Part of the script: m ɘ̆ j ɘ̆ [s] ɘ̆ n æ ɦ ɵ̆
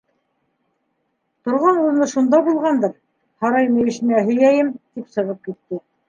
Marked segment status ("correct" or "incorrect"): incorrect